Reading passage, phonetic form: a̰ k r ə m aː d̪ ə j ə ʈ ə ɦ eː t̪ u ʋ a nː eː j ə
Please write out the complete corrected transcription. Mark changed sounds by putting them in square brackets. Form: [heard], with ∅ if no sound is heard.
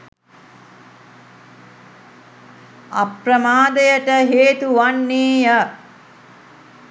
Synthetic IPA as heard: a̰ [p] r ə m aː d̪ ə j ə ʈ ə ɦ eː t̪ u ʋ a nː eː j ə